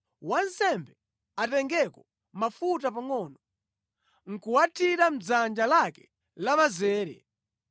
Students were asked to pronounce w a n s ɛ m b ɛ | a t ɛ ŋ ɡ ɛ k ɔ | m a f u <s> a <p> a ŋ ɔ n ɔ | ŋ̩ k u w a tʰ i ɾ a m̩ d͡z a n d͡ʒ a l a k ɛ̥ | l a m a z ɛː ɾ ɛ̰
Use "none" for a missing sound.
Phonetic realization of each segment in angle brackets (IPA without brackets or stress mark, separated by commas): t, p